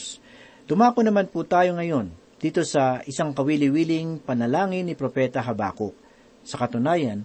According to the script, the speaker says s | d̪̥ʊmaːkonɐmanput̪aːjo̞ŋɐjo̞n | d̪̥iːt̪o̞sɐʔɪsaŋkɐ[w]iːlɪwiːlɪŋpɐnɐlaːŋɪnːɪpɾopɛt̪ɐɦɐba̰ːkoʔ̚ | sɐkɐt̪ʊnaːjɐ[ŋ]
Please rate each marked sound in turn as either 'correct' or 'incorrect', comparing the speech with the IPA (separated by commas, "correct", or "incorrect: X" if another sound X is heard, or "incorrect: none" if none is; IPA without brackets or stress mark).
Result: correct, incorrect: n